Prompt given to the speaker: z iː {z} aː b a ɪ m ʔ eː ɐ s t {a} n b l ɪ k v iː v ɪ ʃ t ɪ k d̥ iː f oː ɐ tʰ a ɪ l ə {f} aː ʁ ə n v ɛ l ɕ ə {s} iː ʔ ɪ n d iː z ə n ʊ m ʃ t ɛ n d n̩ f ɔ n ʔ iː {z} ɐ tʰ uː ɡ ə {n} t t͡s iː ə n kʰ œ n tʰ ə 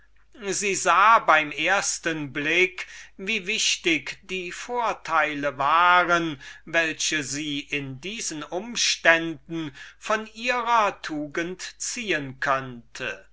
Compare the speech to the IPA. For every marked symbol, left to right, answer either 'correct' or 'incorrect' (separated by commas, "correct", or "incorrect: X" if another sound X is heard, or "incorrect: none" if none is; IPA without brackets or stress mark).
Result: correct, incorrect: ə, incorrect: v, incorrect: z, incorrect: ʁ, correct